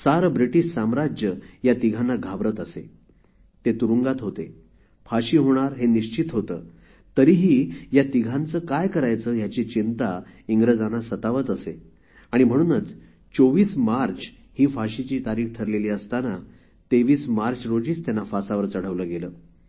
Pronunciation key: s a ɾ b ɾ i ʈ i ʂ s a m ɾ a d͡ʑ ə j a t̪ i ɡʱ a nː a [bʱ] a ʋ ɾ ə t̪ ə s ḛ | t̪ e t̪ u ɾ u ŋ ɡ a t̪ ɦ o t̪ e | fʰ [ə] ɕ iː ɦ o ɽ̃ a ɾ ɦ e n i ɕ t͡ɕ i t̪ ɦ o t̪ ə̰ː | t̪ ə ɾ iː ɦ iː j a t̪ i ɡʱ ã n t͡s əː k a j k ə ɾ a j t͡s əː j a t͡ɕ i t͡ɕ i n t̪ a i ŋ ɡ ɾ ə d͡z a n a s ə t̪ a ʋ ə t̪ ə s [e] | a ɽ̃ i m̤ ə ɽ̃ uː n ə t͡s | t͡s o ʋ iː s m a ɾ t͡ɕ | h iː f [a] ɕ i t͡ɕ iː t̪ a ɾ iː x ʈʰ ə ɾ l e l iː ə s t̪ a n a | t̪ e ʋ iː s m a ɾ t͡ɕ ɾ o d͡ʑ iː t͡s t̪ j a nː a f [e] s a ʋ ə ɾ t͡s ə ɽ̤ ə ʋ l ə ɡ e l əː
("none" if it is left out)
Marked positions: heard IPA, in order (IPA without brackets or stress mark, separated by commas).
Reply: ɡʱ, a, e, a, a